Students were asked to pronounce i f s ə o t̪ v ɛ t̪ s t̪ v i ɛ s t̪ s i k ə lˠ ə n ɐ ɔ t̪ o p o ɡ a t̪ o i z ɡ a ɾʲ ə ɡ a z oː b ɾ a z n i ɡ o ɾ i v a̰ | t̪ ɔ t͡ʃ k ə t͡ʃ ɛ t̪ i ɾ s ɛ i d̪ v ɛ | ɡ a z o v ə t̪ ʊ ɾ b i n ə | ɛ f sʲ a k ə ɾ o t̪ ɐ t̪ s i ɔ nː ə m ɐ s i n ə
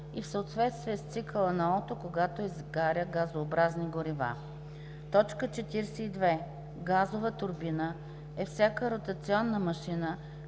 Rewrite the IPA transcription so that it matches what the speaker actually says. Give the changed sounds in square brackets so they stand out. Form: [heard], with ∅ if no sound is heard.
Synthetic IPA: i f s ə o t̪ v ɛ t̪ s t̪ v i ɛ s t̪ s i k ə lˠ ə n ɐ ɔ t̪ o [k] o ɡ a t̪ o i z ɡ a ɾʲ ə ɡ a z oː b ɾ a z n i ɡ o ɾ i v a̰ | t̪ ɔ t͡ʃ k ə t͡ʃ ɛ t̪ i ɾ s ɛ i d̪ v ɛ | ɡ a z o v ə t̪ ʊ ɾ b i n ə | ɛ f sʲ a k ə ɾ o t̪ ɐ t̪ s i ɔ nː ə m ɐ [ʃ] i n ə